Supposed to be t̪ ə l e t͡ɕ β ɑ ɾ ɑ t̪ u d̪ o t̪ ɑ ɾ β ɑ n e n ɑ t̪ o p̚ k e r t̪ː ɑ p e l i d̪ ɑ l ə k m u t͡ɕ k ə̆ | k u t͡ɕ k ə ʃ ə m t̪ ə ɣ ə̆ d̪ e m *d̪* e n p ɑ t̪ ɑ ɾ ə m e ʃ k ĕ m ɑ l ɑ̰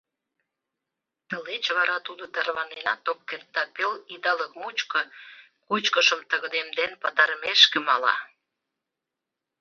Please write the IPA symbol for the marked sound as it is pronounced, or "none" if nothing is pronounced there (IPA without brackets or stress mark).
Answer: d̪